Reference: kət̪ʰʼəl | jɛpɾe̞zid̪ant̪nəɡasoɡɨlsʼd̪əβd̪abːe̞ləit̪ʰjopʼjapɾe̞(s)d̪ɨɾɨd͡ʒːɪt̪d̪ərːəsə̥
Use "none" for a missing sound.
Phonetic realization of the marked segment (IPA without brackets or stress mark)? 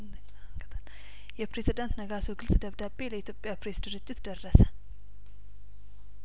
s